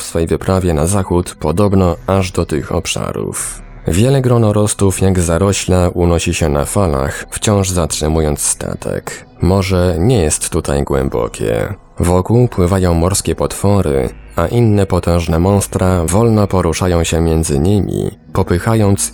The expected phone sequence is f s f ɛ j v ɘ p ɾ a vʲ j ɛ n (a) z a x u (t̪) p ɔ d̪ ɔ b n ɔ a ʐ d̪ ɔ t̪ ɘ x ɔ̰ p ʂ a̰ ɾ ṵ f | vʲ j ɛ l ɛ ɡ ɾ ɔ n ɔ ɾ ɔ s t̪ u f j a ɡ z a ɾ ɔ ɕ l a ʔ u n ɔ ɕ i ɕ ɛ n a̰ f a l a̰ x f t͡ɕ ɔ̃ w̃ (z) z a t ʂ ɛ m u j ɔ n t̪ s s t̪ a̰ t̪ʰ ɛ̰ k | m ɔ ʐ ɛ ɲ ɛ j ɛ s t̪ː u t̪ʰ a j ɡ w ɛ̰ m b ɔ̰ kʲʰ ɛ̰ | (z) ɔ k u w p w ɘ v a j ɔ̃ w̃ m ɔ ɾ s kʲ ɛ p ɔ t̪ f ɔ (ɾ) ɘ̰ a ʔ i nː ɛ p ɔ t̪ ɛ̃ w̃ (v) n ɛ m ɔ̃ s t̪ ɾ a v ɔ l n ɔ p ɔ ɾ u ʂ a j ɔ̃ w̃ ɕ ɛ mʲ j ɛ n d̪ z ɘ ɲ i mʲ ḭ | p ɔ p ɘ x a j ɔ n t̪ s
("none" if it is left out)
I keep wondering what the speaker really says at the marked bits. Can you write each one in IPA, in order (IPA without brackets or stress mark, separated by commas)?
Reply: a, t̪, ʐ, v, ɾ, ʐ